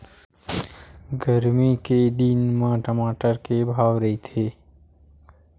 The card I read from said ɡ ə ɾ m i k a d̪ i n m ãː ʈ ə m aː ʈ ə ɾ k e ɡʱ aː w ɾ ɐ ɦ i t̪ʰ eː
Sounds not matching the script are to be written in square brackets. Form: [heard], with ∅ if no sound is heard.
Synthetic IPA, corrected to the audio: ɡ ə ɾ m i k [e] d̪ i n m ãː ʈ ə m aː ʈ ə ɾ k e [bʱ] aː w ɾ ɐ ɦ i t̪ʰ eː